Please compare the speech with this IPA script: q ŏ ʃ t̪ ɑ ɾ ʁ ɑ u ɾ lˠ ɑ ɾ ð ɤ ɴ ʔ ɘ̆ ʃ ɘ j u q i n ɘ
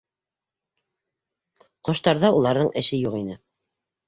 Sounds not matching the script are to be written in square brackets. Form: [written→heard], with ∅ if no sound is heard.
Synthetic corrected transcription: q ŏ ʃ t̪ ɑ ɾ [ʁ→ð] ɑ u [ɾ→∅] lˠ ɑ ɾ ð ɤ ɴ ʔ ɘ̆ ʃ ɘ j u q i n ɘ